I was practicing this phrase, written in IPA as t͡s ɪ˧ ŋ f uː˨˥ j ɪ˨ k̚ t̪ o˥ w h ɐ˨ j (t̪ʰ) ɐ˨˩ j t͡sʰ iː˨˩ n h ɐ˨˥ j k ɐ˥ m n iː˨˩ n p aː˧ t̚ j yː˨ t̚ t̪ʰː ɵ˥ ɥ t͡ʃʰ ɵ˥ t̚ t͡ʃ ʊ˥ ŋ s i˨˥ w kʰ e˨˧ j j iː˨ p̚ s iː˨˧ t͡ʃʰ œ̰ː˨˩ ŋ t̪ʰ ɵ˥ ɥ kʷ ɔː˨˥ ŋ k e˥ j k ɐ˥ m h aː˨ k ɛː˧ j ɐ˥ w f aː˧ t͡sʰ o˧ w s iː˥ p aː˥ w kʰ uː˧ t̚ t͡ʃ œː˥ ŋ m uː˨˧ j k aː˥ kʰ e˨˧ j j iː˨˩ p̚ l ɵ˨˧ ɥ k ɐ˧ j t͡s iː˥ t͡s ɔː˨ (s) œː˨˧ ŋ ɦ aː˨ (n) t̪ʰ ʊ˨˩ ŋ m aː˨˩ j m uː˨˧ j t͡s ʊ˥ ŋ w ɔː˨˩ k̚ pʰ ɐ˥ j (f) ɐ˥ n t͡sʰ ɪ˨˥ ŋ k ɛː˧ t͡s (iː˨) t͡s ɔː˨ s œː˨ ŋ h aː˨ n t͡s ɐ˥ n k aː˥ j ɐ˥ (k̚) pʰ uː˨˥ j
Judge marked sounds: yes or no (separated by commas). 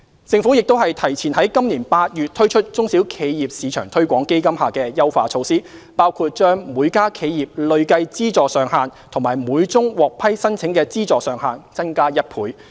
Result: yes, yes, yes, no, no, no